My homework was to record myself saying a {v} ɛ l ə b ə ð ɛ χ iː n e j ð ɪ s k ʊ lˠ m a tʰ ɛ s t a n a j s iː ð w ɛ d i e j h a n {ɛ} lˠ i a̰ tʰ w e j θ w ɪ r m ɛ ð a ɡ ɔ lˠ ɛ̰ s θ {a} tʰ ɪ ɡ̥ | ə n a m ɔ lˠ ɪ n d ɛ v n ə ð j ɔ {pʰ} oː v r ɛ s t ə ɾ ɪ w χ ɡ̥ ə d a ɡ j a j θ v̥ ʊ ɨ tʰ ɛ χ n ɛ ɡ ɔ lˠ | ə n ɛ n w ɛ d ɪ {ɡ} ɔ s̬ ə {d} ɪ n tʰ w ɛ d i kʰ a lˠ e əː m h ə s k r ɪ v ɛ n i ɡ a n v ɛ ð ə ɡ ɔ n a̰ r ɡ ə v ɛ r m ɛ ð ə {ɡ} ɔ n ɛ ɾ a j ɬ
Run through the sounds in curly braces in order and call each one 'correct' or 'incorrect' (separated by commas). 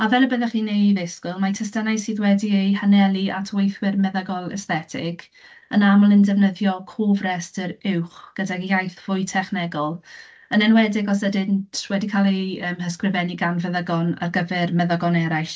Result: correct, correct, incorrect, incorrect, correct, correct, correct